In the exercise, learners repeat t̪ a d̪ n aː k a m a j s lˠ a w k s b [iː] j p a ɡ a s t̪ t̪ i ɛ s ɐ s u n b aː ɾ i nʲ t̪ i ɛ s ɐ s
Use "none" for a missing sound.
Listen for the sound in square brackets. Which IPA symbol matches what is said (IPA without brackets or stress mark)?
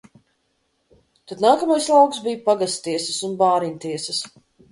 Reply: i